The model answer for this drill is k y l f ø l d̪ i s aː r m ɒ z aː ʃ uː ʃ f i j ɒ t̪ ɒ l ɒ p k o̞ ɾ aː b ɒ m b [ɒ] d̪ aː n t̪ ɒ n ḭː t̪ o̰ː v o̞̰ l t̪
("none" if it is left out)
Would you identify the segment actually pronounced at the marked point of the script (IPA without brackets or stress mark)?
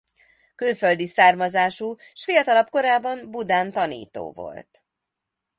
u